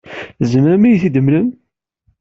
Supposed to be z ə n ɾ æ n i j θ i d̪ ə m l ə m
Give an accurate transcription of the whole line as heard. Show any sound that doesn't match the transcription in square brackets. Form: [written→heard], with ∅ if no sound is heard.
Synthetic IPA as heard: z ə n ɾ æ [n→m] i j θ i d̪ ə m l ə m